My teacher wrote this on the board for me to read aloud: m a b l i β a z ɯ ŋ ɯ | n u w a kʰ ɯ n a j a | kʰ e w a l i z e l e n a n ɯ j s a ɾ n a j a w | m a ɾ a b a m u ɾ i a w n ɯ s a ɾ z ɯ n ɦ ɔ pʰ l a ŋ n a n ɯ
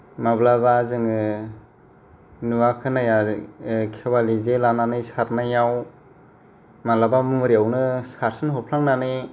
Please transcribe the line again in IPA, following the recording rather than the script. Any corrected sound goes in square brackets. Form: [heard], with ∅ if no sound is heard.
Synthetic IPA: m a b l [a] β a z ɯ ŋ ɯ | n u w a kʰ ɯ n a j a | kʰ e w a l i z e l [a] n a n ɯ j s a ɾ n a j a w | m a [l] a b a m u ɾ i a w n ɯ s a ɾ [s] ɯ n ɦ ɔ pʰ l a ŋ n a n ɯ